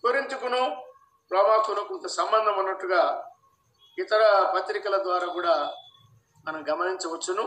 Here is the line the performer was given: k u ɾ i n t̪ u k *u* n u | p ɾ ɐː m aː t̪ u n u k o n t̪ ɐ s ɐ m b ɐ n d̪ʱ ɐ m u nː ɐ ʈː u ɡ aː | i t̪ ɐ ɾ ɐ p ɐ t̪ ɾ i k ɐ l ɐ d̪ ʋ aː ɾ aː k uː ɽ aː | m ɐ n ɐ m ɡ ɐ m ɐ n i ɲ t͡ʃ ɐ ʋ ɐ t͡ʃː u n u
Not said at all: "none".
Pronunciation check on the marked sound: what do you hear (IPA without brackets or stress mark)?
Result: u